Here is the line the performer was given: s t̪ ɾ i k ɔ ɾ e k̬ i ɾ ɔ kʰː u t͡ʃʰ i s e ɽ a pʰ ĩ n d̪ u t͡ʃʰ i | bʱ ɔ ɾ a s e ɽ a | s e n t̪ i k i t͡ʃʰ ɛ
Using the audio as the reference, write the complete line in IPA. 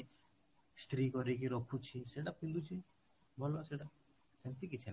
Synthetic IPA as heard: s t̪ ɾ i k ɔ ɾ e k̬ i ɾ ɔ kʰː u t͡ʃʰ i s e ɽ a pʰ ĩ n d̪ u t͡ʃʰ i | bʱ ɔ l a s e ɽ a | s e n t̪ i k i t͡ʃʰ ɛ